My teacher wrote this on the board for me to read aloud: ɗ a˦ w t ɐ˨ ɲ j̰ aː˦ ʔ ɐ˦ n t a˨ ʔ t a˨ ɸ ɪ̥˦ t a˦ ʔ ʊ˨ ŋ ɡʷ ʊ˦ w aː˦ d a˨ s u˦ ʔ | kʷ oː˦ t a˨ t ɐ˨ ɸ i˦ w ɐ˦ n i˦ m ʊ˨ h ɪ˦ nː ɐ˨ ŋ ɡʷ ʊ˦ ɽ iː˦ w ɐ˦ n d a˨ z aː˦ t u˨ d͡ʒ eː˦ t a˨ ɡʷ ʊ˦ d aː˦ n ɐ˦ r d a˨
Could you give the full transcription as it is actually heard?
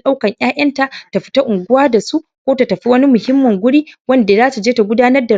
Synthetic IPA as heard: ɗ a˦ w k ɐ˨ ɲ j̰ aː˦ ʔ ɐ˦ n t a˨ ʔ t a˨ ɸ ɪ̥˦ t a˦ ʔ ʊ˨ ŋ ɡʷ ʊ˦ w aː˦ d a˨ s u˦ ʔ | kʷ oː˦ t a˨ t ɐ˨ ɸ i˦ w ɐ˦ n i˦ m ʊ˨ h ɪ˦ mː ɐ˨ ŋ ɡʷ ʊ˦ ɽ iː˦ w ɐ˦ n d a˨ z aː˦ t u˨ d͡ʒ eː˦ t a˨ ɡʷ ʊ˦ d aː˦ n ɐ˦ r d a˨